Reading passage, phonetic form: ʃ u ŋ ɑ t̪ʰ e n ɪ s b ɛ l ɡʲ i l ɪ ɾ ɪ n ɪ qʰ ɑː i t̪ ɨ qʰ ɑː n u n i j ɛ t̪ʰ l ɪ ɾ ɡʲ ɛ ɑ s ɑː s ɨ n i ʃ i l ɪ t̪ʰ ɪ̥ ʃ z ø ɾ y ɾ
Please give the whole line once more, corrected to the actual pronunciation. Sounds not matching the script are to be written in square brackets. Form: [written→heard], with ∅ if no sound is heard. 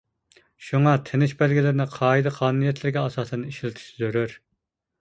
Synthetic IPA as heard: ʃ u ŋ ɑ t̪ʰ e n ɪ [s→ʃ] b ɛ l ɡʲ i l ɪ ɾ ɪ n ɪ qʰ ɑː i [t̪→d̪] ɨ qʰ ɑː n u n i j ɛ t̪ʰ l ɪ ɾ ɡʲ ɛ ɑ s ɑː s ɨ n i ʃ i l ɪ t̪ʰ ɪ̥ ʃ z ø ɾ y ɾ